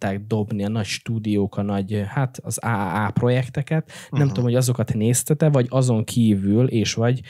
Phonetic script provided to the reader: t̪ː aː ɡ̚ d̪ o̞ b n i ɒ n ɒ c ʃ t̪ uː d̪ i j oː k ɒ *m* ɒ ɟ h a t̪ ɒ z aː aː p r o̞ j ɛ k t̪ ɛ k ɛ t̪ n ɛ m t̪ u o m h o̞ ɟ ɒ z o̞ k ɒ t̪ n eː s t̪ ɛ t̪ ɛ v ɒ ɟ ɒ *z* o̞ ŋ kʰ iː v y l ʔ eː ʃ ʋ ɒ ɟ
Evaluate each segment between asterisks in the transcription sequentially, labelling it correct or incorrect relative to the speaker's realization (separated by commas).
incorrect, correct